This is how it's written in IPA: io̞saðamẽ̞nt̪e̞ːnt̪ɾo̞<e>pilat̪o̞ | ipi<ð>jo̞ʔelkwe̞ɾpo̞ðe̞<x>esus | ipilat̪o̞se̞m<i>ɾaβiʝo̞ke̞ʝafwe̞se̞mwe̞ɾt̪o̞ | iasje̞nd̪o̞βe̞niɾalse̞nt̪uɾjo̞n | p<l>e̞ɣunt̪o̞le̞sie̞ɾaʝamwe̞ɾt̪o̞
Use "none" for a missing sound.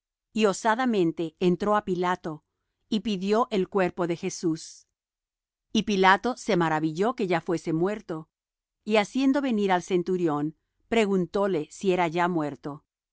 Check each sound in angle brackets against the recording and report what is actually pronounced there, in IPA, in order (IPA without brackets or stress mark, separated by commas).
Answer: a, ð, x, a, ɾ